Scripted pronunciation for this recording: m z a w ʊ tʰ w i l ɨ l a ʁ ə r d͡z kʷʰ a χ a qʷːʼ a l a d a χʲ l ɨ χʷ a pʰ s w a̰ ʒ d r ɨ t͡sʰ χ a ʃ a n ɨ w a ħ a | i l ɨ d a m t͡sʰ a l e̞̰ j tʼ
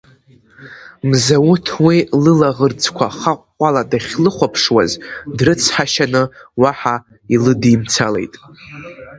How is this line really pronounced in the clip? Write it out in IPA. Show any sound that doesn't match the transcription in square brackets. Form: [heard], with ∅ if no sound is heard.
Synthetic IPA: m z a w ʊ tʰ w i l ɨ l a ʁ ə r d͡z kʷʰ a χ a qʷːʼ a l a d a χʲ l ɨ χʷ a pʰ [ʂ] w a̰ [z] d r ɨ t͡sʰ [ħ] a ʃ a n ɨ w a ħ a | i l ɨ d [i] m t͡sʰ a l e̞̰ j tʼ